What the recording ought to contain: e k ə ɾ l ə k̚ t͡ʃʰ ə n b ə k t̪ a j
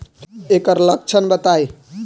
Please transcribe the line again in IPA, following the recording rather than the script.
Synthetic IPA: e k ə ɾ l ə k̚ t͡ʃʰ ə n b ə t̪ a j